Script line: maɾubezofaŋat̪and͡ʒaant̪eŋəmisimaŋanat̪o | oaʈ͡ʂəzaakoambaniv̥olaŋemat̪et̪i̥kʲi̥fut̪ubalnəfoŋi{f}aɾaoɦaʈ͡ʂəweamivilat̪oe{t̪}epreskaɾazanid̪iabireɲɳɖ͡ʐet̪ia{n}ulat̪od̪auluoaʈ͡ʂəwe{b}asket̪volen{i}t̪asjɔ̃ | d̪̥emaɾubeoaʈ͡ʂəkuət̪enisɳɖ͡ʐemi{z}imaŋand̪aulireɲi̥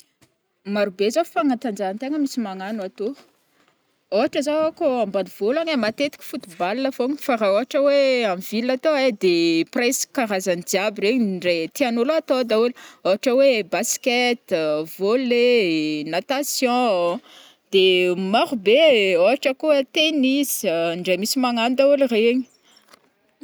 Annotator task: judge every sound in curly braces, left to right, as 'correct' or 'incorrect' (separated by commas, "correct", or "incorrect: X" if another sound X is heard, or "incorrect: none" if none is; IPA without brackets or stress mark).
correct, incorrect: d̪, correct, correct, incorrect: a, incorrect: s